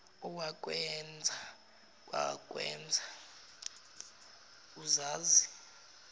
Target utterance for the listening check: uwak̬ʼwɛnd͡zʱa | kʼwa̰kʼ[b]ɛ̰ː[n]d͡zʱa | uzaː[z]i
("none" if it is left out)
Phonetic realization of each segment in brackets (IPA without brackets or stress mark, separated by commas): w, n, z